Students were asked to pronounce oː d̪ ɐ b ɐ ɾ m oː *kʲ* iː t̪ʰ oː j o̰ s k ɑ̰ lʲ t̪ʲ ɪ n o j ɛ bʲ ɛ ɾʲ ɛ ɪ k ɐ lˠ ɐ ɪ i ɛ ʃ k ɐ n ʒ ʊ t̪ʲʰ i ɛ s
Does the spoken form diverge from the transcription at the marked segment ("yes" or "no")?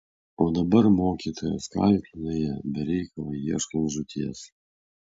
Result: no